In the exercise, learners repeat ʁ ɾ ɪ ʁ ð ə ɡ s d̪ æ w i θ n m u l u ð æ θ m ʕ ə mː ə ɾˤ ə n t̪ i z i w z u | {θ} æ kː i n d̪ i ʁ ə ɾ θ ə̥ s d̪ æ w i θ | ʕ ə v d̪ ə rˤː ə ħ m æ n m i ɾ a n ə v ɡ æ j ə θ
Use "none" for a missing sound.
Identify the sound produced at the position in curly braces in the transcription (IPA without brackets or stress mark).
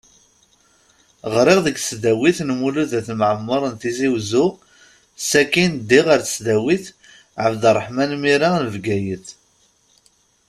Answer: s